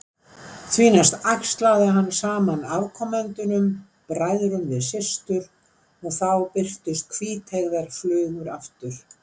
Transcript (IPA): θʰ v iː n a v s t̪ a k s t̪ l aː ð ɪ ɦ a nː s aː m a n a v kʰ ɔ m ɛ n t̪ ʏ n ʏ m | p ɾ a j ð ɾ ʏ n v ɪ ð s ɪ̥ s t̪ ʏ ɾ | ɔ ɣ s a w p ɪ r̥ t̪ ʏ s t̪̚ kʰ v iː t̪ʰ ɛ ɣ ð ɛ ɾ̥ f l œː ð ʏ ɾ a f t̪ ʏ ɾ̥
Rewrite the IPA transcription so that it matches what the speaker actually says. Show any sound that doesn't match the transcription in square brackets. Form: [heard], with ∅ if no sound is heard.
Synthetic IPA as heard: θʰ v iː n a [∅] s t̪ a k s t̪ l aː ð ɪ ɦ a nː s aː m a n a v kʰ ɔ m ɛ n t̪ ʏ n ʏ m | p ɾ a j ð ɾ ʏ n v ɪ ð s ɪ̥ s t̪ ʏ ɾ | ɔ ɣ [θ] a w p ɪ r̥ t̪ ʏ s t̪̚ kʰ v iː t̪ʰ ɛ ɣ ð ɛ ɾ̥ f l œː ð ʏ ɾ a f t̪ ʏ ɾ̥